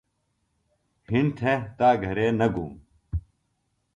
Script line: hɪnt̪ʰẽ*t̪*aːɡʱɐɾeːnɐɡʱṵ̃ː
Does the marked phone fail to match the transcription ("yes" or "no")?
no